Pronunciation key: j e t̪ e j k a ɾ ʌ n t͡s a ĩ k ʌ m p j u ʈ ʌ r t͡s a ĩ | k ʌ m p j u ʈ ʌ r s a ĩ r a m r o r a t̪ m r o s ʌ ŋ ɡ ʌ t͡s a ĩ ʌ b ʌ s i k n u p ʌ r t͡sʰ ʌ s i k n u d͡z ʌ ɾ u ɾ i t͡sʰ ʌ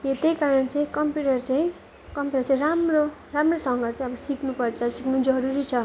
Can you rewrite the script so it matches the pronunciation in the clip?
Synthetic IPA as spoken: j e t̪ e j k a ɾ ʌ n t͡s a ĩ k ʌ m p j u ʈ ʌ r t͡s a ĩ | k ʌ m p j u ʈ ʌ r t͡s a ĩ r a m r o r a m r o s ʌ ŋ ɡ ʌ t͡s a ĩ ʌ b ʌ s i k n u p ʌ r t͡sʰ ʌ s i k n u d͡z ʌ ɾ u ɾ i t͡sʰ ʌ